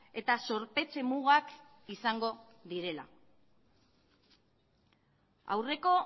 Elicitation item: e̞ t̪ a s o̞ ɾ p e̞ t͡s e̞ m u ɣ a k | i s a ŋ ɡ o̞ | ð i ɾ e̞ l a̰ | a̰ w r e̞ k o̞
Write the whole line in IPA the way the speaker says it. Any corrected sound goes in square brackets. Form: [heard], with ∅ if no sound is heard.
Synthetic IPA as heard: e̞ t̪ a s o̞ ɾ p e̞ t͡s e̞ m u ɣ a k | i s a ŋ ɡ o̞ | ð i ɾ e̞ l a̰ | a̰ w r e̞ k o̞